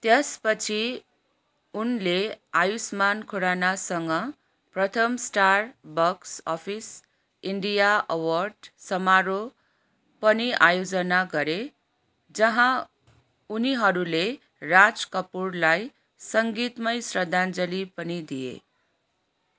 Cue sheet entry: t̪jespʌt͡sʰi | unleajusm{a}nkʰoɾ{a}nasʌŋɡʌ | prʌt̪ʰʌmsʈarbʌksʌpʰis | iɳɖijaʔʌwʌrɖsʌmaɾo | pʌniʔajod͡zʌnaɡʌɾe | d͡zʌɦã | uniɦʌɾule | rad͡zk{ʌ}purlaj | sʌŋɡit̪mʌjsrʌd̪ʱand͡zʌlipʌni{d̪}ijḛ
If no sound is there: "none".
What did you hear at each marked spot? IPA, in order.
a, a, ʌ, d̪

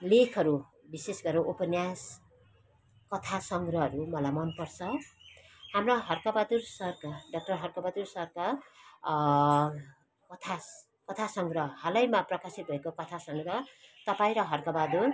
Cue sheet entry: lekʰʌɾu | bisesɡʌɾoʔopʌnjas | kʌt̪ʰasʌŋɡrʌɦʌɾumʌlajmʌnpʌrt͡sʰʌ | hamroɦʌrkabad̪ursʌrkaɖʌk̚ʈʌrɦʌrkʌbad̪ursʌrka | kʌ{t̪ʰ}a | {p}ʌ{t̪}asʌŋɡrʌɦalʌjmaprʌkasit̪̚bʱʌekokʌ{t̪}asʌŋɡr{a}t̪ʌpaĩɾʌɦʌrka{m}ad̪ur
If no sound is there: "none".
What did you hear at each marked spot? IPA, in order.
t̪ʰ, k, t̪ʰ, t̪ʰ, ʌ, b

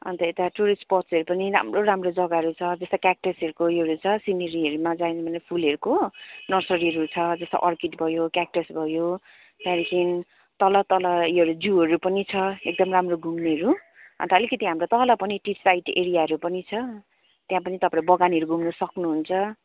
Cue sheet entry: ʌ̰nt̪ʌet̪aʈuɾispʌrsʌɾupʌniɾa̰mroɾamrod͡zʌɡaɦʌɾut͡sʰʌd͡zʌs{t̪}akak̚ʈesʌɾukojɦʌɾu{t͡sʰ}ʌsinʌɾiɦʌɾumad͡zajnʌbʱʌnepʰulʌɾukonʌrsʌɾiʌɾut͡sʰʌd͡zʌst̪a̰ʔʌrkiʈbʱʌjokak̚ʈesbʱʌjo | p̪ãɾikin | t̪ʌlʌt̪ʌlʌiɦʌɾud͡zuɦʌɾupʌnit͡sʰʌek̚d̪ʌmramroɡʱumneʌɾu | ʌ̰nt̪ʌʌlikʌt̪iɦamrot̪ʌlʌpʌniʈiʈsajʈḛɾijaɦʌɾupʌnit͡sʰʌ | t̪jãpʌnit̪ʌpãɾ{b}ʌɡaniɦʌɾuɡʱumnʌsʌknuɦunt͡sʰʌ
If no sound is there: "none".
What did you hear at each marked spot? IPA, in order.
t̪, t͡sʰ, b

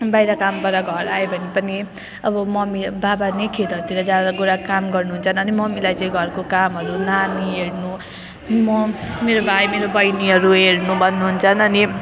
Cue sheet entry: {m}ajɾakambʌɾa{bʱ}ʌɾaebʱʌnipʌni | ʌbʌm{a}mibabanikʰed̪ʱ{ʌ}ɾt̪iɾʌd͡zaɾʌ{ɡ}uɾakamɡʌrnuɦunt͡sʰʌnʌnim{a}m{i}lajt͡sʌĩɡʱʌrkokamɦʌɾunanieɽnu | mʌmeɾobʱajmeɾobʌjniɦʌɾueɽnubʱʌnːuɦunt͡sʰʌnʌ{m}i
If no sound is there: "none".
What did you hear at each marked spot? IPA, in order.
b, ɡʱ, ʌ, ʌ, ɡ, ʌ, i, n

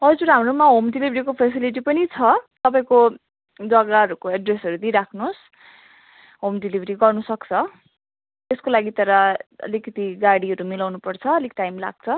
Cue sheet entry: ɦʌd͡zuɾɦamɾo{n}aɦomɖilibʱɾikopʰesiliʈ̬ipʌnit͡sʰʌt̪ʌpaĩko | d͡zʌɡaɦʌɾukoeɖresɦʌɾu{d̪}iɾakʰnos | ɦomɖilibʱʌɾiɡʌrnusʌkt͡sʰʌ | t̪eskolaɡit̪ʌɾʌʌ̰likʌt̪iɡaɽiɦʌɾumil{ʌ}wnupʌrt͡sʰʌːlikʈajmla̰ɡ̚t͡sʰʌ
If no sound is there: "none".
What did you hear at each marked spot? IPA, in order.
m, d̪, a

